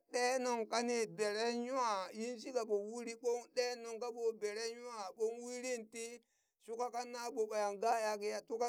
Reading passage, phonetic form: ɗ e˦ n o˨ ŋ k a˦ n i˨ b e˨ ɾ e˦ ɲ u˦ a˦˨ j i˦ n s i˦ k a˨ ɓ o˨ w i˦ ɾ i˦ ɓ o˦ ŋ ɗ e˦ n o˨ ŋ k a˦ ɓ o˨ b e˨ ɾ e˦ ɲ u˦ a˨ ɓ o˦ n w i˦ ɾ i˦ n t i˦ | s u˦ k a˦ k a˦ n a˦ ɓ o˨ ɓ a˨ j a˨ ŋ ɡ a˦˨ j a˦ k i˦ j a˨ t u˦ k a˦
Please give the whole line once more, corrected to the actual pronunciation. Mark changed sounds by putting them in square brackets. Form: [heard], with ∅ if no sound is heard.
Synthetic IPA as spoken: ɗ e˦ n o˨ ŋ k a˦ n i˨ b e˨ ɾ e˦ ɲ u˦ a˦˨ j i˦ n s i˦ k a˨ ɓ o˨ w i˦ ɾ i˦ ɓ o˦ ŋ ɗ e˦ n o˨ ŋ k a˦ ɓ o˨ b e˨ ɾ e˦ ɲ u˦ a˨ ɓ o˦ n w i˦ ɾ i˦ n t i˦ | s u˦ k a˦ k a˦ n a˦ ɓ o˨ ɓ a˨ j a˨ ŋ ɡ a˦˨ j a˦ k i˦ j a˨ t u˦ k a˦